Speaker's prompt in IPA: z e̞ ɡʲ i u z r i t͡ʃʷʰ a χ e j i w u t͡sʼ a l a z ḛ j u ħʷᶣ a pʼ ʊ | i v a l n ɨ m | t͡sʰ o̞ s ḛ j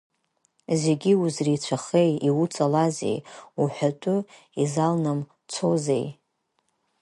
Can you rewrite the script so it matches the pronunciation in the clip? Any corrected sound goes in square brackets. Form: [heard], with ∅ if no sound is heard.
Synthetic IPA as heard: z e̞ ɡʲ i u z r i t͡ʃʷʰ a χ e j i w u t͡sʼ a l a z ḛ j u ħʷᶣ a [tʼ] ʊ | i [z] a l n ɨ m | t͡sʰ o̞ [z] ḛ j